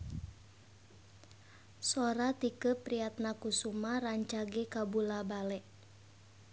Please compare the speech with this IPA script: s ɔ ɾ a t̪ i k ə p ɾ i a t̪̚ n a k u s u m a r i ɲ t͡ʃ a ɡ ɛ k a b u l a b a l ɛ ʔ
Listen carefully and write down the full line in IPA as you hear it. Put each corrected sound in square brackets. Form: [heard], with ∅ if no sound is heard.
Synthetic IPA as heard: s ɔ ɾ a t̪ i k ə p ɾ i a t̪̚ n a k u s u m a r [a] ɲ t͡ʃ a ɡ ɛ k a b u l a b a l ɛ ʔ